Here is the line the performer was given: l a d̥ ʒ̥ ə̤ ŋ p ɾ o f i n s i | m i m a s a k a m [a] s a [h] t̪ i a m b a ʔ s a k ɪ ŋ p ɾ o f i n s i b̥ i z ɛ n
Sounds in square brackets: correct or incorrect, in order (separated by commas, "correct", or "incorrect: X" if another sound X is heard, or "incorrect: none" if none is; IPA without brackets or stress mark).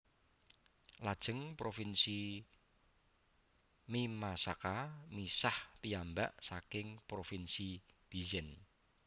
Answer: incorrect: i, correct